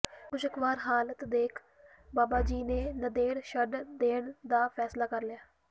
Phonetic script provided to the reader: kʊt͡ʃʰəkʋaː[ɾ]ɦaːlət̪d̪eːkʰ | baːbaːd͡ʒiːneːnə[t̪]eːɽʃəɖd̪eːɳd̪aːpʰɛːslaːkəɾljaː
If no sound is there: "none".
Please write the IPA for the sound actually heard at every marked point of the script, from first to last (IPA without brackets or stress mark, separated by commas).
ɾ, d̪